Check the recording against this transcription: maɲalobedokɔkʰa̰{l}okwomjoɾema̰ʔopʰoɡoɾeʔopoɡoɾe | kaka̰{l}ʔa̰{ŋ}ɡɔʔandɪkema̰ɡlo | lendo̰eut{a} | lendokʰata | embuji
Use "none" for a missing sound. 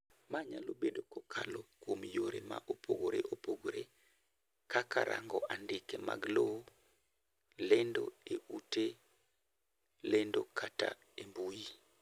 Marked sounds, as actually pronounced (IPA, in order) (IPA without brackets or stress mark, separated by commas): l, ɾ, ŋ, e